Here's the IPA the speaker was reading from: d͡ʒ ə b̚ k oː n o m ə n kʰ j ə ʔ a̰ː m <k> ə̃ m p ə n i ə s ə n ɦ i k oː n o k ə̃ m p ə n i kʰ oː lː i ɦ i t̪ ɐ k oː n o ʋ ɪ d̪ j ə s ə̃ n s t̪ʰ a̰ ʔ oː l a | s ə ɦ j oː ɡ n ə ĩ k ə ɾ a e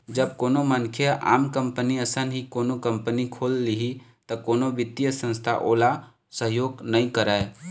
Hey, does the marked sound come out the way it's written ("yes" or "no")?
yes